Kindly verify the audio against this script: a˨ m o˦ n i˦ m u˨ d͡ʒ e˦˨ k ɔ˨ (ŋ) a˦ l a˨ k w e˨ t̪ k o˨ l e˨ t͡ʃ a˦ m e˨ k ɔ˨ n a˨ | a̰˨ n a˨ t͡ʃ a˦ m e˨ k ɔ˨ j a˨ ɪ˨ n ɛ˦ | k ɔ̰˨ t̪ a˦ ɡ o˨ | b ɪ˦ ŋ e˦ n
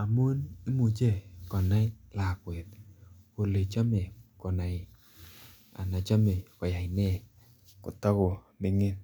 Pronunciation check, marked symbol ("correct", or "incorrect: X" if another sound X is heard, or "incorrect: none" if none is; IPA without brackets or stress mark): incorrect: n